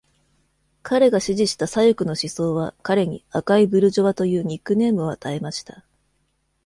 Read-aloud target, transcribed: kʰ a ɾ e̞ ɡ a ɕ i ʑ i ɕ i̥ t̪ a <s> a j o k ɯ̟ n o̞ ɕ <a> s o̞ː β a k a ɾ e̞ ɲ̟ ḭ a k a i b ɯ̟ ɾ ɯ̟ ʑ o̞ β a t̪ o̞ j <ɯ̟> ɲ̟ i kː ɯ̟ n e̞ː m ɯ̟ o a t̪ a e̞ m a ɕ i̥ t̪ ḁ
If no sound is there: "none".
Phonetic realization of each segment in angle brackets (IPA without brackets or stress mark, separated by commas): s, i, ɯ̟ː